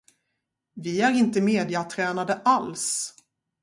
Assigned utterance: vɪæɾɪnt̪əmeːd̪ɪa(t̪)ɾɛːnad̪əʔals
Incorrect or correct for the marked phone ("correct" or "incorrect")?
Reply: incorrect